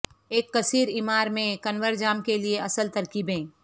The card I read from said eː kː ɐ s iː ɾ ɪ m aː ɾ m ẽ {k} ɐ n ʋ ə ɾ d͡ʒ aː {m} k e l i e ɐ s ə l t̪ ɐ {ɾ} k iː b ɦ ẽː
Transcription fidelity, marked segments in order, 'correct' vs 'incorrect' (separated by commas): correct, correct, correct